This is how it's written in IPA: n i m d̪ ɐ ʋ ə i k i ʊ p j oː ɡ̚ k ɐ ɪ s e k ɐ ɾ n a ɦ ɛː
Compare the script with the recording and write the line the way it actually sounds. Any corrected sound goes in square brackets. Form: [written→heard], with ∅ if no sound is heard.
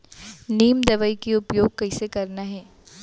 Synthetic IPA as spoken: n [i→iː] m d̪ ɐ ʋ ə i k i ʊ p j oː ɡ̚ k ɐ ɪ s e k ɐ ɾ n a ɦ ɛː